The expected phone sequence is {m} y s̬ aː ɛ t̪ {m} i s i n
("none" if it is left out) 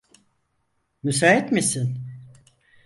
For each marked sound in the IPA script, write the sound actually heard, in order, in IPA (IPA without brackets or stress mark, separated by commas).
m, m